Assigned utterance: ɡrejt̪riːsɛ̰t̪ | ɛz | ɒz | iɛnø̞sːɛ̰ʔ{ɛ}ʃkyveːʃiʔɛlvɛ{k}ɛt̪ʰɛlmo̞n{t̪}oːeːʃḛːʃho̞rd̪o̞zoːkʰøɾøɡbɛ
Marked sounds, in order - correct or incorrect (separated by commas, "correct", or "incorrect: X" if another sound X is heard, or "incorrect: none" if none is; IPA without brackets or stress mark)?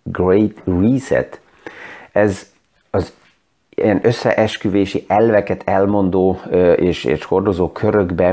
correct, correct, incorrect: d̪